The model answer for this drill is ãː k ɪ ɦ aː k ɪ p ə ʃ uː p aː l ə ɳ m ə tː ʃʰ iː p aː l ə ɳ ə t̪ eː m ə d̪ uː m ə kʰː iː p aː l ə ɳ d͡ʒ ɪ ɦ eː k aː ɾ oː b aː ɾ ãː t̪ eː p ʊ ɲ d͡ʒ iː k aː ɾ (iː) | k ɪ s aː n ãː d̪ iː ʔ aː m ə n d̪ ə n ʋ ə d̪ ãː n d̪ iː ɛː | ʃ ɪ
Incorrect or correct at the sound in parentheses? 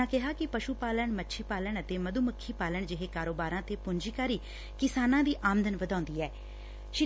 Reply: correct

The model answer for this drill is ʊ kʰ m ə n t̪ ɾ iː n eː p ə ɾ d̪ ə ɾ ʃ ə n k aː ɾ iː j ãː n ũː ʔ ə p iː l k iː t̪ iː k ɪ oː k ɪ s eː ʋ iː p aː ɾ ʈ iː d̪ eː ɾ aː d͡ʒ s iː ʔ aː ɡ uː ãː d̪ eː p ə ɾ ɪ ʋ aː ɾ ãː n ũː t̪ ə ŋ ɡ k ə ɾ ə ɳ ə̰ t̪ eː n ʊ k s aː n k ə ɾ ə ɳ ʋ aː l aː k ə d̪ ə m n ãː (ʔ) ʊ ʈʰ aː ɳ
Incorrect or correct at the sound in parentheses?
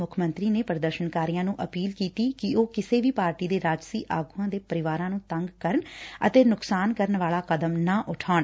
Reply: correct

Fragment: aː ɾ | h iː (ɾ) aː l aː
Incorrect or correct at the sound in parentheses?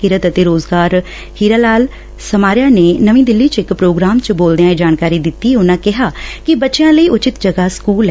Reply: correct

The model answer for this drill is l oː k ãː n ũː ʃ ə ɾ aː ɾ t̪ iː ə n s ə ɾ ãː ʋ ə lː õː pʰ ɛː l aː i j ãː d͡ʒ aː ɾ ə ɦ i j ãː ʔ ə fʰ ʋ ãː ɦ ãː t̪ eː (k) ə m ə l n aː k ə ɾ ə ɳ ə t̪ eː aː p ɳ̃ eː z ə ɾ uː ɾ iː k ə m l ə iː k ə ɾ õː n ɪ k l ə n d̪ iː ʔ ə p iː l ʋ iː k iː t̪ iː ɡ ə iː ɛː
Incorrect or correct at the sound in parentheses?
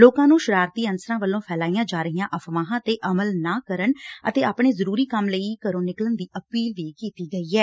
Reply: incorrect: ʔ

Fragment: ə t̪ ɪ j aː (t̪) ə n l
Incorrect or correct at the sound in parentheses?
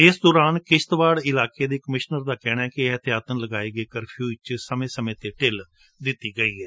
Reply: correct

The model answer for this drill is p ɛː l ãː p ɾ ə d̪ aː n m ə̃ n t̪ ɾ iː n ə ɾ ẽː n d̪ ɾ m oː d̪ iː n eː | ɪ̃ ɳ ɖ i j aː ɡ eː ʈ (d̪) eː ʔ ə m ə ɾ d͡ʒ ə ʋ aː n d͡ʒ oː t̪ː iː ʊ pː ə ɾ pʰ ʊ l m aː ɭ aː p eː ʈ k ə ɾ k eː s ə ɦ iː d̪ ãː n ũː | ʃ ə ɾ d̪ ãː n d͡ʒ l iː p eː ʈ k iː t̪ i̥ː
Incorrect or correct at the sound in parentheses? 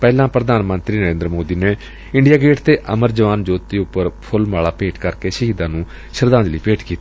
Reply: incorrect: t̪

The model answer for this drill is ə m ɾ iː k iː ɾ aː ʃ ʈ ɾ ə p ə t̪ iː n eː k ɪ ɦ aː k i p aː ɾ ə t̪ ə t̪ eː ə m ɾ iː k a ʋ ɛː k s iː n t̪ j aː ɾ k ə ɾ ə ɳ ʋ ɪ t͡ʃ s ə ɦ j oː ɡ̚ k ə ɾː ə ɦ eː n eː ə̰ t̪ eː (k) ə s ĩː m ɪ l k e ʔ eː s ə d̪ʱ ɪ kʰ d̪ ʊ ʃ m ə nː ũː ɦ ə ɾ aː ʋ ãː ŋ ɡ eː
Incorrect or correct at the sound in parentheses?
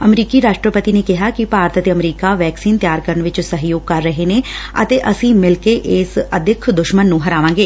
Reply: incorrect: ʔ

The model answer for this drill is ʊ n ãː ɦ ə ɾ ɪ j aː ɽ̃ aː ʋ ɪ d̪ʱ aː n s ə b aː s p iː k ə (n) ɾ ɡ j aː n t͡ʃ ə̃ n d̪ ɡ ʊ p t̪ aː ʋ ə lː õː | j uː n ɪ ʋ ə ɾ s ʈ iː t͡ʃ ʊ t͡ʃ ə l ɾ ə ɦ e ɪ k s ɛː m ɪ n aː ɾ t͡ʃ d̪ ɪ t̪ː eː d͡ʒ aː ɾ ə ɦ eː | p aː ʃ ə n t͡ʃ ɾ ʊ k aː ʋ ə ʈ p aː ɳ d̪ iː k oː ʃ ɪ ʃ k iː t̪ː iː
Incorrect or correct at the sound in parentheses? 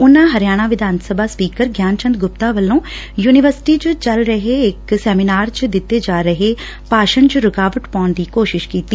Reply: incorrect: none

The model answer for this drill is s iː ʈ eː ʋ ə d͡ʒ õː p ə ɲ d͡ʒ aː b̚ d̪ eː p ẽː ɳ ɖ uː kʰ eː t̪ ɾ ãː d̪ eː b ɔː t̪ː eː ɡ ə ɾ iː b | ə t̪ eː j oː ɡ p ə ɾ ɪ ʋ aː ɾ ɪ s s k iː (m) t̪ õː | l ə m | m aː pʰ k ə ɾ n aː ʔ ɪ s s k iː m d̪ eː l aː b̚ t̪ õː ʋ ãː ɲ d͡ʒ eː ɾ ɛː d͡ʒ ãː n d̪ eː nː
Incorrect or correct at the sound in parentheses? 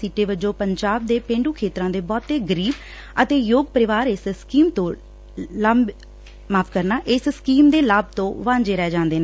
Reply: correct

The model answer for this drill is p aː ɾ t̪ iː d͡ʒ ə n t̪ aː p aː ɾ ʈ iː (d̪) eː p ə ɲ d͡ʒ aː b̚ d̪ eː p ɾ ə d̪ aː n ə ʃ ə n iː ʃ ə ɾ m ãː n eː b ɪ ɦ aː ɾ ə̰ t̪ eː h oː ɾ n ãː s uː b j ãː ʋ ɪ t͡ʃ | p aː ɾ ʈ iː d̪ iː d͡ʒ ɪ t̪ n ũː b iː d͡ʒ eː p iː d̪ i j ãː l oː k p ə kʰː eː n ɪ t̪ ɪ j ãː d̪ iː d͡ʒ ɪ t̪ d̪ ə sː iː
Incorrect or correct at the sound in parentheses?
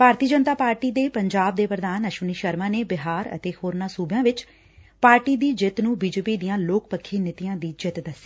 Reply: correct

